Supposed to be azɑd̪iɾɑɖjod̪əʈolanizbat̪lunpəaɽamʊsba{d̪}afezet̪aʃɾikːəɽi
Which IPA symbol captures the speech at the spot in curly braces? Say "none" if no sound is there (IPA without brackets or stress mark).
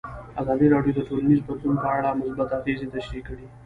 t̪